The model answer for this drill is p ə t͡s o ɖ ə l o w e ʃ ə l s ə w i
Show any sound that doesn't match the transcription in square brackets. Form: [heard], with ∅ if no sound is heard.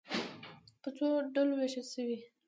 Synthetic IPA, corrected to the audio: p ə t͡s o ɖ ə l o w e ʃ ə l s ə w i